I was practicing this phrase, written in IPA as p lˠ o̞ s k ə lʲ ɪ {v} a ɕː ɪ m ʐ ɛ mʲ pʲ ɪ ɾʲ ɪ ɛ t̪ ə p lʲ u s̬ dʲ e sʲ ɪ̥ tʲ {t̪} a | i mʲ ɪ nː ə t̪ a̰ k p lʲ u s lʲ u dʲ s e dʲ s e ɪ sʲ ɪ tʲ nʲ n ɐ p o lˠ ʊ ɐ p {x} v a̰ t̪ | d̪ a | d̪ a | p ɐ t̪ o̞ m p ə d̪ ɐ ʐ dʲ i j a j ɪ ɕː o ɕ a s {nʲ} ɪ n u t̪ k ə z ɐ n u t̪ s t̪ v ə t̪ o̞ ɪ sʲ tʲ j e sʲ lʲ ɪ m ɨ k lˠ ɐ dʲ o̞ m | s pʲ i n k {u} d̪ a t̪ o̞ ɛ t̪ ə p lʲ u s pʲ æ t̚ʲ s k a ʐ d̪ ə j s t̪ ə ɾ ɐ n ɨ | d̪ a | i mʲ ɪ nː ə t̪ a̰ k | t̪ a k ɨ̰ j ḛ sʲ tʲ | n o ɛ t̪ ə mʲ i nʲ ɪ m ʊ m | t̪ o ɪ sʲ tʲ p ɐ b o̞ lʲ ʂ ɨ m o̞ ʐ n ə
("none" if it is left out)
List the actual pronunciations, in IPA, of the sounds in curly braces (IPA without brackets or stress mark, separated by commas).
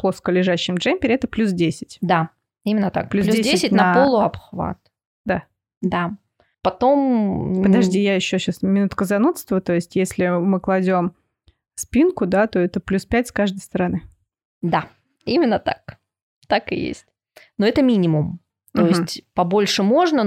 ʐ, d̪, x, mʲ, ʊ